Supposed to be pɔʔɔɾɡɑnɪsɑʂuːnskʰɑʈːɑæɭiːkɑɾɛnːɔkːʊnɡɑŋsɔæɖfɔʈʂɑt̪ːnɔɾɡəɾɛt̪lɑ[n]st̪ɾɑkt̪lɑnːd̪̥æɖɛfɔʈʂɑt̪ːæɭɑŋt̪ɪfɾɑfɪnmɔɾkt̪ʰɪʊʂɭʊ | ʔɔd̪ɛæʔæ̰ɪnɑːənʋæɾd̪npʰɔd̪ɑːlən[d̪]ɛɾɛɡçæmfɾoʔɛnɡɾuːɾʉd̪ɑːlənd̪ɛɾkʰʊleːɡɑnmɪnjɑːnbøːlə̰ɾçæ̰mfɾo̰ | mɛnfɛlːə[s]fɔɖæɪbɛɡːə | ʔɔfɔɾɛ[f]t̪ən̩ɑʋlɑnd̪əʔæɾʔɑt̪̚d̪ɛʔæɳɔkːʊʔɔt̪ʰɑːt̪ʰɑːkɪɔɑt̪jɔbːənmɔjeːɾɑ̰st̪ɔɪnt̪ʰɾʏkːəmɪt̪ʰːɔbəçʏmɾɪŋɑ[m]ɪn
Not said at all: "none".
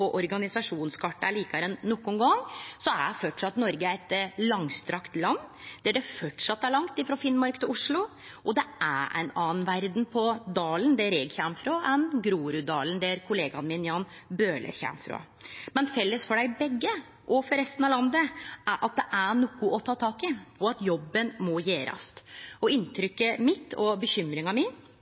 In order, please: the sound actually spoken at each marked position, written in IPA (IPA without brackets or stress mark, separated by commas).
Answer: ŋ, d̪, s, s, m